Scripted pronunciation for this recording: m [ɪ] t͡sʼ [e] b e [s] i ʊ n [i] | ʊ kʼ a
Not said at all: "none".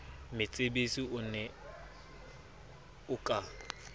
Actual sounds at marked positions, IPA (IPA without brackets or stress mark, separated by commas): ɪ, e, s, ɛ